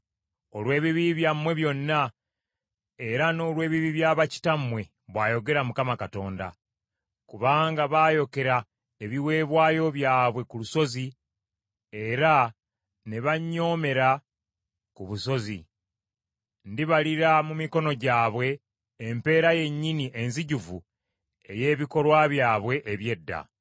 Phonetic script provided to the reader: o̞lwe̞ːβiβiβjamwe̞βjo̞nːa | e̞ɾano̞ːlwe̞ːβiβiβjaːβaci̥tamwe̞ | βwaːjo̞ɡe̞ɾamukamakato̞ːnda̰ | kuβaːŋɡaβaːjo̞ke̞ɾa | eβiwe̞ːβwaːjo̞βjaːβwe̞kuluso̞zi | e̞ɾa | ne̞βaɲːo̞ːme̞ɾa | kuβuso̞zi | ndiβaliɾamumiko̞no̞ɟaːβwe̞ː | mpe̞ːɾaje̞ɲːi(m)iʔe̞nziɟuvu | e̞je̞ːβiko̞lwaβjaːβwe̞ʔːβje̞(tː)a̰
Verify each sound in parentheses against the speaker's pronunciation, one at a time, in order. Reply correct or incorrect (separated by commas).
incorrect, incorrect